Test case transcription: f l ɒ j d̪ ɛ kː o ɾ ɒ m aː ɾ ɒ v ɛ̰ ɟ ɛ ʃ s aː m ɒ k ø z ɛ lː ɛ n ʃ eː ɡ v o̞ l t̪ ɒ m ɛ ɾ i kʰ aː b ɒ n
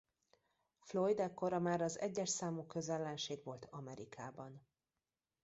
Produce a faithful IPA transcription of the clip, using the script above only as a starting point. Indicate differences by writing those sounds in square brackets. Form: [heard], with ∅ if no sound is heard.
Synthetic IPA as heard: f l [o] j d̪ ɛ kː o ɾ ɒ m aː ɾ ɒ [z] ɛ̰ [ɟː] ɛ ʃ s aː m [u] k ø z ɛ lː ɛ n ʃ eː ɡ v o̞ l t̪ ɒ m ɛ ɾ i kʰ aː b ɒ n